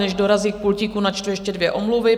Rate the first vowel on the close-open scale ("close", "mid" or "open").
mid